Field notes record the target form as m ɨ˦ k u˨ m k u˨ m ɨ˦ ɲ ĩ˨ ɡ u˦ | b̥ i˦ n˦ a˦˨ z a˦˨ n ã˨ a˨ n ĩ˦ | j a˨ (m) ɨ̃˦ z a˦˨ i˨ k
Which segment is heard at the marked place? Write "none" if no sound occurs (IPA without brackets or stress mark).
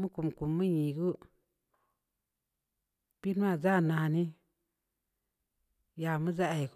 m